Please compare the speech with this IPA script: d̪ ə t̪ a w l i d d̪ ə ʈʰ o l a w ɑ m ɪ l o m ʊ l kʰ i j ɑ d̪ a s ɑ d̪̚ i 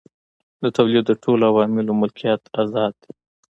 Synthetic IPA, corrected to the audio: d̪ ə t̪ a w l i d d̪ ə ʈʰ o l a w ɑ m ɪ l o m ʊ l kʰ i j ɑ t̪ a z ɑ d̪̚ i